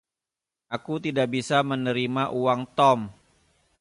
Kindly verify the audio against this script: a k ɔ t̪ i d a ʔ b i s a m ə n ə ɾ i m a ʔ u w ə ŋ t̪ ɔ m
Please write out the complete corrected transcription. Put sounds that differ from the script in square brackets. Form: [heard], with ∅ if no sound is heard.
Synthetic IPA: a k [u] t̪ i d a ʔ b i s a m ə n ə ɾ i m a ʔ u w [a] ŋ t̪ ɔ m